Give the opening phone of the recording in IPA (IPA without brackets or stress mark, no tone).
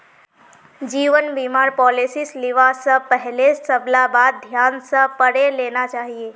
d͡ʒ